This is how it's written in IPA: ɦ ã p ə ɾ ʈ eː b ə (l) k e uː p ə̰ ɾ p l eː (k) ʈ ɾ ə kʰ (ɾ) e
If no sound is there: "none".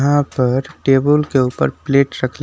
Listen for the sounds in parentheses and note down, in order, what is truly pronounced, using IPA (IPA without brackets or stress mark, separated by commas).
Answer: l, none, l